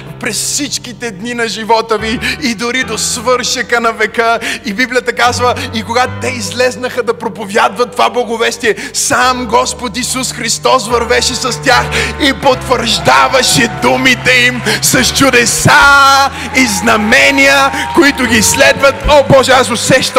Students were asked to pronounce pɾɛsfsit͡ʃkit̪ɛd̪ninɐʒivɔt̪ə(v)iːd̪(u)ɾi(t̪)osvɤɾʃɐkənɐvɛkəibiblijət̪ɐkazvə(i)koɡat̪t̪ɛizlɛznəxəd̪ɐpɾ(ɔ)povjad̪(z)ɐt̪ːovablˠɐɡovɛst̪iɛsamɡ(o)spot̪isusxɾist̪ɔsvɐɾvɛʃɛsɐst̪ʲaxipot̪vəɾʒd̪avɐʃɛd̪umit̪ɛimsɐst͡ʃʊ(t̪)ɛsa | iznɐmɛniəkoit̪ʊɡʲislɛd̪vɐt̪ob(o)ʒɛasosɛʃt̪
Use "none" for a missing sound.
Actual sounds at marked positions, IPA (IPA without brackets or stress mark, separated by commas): v, ʊ, d̪, i, o, v, ɔ, d̪, ɔ